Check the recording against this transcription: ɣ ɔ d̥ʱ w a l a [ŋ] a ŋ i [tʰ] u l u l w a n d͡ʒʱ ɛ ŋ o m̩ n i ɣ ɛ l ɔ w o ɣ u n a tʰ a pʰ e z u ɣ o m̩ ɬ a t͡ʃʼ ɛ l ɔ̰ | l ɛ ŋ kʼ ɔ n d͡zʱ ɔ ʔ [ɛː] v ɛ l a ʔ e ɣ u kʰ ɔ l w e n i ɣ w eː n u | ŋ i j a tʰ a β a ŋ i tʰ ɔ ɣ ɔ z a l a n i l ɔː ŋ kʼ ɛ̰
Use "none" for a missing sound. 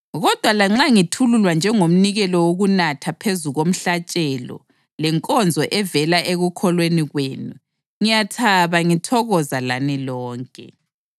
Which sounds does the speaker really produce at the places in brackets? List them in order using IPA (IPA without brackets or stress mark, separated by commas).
ŋ͡ǁ, tʰ, ɛ